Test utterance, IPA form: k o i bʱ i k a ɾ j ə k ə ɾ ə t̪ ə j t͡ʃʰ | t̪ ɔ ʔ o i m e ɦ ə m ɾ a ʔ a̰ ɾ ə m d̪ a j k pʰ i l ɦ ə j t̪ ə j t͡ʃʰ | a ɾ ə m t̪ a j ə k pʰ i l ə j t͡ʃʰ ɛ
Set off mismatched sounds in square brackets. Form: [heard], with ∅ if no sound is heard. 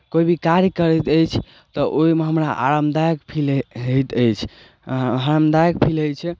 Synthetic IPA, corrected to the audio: k o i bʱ i k a ɾ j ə k ə ɾ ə t̪ ə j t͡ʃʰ | t̪ ɔ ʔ o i m e ɦ ə m ɾ a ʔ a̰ ɾ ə m d̪ a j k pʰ i l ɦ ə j t̪ ə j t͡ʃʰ | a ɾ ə m [d̪] a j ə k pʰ i l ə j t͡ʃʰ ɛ